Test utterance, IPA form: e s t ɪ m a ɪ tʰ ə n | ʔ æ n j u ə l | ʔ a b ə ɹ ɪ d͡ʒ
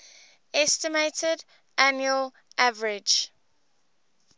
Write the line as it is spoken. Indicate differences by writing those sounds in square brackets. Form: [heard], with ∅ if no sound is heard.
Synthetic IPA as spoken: [ɛ] s t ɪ m [e] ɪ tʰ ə [d] | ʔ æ n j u ə l | ʔ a [v] ə ɹ ɪ d͡ʒ